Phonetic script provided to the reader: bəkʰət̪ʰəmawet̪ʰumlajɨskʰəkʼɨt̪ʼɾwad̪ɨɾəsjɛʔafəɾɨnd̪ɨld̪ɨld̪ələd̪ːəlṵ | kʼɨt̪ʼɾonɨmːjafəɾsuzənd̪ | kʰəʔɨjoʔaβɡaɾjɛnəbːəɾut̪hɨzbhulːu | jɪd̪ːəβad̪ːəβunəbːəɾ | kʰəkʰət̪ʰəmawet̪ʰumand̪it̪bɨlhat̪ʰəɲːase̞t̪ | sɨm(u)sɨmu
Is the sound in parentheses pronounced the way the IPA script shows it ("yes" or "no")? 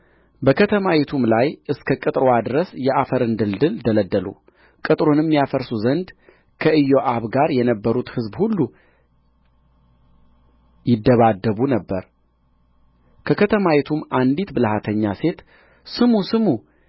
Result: yes